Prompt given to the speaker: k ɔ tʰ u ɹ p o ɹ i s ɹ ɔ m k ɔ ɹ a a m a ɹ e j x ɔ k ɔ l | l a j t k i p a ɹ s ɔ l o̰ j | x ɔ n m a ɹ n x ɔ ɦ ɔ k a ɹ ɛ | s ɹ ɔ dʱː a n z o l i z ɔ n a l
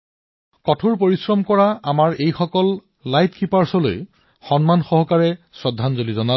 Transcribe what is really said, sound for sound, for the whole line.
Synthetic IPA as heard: k ɔ tʰ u ɹ p o ɹ i s ɹ ɔ m k ɔ ɹ a a m a ɹ e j x ɔ k ɔ l | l a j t k i p a ɹ s ɔ l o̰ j | x ɔ n m a n x ɔ ɦ ɔ k a ɹ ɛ | s ɹ ɔ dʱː a n z o l i z ɔ n a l